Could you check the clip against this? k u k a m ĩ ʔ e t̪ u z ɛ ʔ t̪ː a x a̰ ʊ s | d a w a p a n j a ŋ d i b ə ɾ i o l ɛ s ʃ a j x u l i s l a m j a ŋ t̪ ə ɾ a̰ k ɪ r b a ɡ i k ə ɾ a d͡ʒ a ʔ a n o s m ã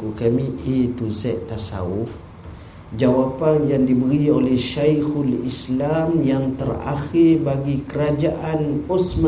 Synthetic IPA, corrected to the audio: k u k a m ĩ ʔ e t̪ u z ɛ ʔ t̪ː a s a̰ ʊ f | d͡ʒ a w a p a n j a ŋ d i b ə ɾ i o l ɛ h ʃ a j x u l i s l a m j a ŋ t̪ ə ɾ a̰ x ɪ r b a ɡ i k ə ɾ a d͡ʒ a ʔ a n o s m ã